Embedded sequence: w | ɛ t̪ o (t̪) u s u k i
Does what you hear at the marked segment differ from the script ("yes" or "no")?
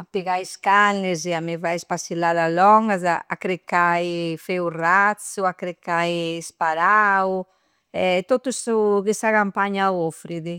no